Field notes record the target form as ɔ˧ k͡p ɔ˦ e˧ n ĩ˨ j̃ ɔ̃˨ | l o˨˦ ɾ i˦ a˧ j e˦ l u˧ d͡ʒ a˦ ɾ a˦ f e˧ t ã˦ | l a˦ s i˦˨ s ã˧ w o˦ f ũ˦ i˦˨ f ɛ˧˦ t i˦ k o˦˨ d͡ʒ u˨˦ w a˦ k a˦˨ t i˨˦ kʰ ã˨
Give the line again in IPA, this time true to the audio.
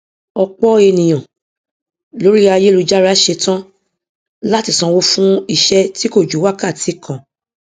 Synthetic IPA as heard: ɔ˧ k͡p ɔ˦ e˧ n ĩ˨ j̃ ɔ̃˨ | l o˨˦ ɾ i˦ a˧ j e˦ l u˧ d͡ʒ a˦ ɾ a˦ ʃ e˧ t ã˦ | l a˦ t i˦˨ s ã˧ w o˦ f ũ˦ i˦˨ ʃ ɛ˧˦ t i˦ k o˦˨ d͡ʒ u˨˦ w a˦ k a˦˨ t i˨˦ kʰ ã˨

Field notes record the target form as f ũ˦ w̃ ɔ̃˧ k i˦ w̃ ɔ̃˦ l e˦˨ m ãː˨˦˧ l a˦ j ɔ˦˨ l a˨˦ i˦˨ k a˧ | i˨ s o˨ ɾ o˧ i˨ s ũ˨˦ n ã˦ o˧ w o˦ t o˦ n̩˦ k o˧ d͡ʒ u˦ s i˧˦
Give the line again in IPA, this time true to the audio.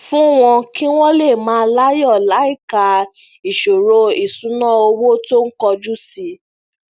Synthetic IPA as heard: f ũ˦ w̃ ɔ̃˧ k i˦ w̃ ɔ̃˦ l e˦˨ m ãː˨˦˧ l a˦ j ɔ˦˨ l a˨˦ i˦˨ k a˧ | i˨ ʃ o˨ ɾ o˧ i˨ s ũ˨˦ n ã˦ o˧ w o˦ t o˦ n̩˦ k ɔ˧ d͡ʒ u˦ s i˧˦

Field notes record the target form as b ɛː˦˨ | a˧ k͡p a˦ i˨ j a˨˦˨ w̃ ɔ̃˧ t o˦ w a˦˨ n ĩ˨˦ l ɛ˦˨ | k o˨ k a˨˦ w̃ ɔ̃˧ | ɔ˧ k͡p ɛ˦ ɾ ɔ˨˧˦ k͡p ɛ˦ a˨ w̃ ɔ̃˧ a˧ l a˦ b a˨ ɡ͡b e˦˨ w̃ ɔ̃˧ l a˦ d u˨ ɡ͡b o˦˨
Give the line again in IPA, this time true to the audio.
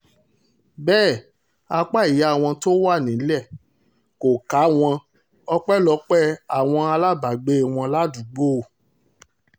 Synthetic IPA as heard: b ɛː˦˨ | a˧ k͡p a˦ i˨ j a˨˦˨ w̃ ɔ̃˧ t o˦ w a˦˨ n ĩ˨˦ l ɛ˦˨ | k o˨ k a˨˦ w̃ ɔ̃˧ | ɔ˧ k͡p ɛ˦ l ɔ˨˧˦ k͡p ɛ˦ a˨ w̃ ɔ̃˧ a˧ l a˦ b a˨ ɡ͡b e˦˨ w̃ ɔ̃˧ l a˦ d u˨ ɡ͡b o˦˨

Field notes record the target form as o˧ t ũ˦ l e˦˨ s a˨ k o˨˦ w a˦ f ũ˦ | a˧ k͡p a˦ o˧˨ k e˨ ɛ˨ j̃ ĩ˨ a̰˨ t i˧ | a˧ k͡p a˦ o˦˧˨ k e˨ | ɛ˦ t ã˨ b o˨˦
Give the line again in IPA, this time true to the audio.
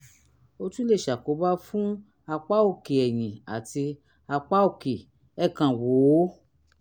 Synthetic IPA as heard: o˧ t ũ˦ l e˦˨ ʃ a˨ k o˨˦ b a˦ f ũ˦ | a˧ k͡p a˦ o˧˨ k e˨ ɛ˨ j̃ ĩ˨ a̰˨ t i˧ | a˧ k͡p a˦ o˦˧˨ k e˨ | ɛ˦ k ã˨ w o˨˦

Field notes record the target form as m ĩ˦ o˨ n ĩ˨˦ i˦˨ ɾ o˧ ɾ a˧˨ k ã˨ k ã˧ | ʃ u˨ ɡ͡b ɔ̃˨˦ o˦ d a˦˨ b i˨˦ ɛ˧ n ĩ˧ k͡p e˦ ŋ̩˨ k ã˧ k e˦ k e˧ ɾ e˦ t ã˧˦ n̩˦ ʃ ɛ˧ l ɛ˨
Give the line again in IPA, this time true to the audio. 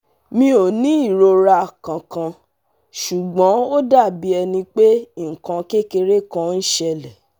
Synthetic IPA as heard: m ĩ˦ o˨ n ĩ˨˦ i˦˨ ɾ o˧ ɾ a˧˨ k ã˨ k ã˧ | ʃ u˨ ɡ͡b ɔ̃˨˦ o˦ d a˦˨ b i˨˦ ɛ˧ n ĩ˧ k͡p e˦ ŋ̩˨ k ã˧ k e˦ k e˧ ɾ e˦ k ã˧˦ n̩˦ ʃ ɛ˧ l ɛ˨

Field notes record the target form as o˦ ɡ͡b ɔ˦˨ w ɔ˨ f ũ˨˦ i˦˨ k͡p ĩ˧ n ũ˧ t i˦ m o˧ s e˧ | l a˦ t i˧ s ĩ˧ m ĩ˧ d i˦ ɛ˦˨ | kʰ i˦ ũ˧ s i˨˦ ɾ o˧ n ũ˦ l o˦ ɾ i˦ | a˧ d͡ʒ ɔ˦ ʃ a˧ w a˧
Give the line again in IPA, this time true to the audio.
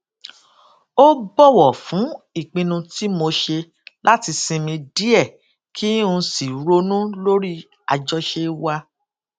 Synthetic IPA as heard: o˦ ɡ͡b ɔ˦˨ w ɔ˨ f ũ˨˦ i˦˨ k͡p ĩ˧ n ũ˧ t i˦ m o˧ ʃ e˧ | l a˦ t i˧ s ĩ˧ m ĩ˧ d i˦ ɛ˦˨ | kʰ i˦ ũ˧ s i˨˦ ɾ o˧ n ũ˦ l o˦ ɾ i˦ | a˧ d͡ʒ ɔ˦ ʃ e˧ w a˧

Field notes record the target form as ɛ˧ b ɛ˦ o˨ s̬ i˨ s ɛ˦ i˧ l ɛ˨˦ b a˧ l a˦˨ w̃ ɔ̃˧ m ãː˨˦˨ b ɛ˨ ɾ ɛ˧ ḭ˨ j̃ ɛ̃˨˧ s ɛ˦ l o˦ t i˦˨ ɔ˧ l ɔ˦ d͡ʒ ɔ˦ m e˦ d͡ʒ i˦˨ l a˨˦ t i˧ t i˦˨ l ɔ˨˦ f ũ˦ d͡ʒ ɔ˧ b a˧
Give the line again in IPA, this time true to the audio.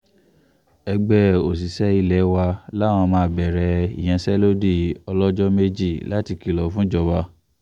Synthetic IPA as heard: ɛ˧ ɡ͡b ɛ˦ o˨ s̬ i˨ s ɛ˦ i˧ l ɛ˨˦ w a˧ l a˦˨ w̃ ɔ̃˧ m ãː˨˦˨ b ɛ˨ ɾ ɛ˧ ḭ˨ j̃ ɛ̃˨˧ s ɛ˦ l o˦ d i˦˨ ɔ˧ l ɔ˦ d͡ʒ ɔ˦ m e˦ d͡ʒ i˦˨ l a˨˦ t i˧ k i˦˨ l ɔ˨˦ f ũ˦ d͡ʒ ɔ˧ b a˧

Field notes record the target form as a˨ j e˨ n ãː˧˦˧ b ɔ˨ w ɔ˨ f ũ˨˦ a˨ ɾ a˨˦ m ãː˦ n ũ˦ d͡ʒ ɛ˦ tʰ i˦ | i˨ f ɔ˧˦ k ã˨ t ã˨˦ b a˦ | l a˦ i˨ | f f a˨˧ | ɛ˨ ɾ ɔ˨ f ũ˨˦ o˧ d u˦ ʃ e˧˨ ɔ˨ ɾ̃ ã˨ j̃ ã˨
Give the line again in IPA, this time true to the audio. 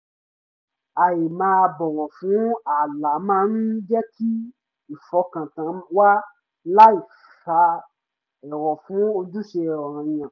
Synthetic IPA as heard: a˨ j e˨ m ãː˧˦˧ b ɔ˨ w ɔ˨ f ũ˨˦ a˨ l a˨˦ m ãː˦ n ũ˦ d͡ʒ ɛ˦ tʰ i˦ | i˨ f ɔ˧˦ k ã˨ t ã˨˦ w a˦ | l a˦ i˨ | f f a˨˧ | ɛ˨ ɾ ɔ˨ f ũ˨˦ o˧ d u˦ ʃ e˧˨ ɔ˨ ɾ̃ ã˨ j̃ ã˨

